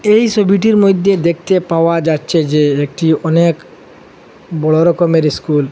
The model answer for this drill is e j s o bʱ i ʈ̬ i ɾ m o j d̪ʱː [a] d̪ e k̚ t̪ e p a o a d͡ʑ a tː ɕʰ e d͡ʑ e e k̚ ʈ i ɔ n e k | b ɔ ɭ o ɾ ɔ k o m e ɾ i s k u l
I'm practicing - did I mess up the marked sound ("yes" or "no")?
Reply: yes